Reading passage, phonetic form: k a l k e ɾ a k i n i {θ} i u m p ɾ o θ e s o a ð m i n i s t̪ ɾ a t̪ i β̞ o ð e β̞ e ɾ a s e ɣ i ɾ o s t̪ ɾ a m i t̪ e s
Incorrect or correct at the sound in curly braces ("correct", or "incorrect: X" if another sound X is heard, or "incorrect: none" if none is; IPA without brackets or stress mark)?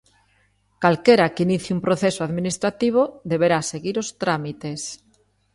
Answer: correct